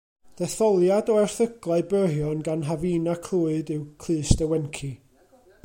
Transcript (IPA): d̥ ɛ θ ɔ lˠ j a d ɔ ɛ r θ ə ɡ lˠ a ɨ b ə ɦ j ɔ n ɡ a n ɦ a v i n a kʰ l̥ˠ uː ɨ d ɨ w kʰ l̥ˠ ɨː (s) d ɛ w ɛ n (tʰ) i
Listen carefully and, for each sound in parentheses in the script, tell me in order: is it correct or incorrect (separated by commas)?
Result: correct, incorrect